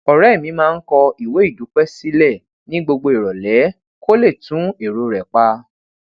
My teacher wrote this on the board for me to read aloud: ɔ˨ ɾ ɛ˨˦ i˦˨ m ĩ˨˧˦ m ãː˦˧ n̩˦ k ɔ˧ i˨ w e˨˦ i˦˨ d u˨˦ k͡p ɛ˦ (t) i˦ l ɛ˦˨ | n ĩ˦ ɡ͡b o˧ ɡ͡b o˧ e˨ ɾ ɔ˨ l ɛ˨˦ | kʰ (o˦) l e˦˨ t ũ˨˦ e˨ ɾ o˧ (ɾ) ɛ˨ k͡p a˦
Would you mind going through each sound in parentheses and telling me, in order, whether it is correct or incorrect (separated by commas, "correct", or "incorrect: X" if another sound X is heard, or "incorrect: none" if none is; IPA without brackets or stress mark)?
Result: incorrect: s, correct, correct